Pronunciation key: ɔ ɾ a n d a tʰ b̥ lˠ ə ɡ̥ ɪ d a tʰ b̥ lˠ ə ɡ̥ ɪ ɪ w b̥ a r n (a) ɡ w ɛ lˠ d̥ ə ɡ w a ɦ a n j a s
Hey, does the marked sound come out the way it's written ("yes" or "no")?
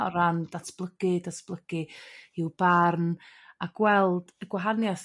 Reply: yes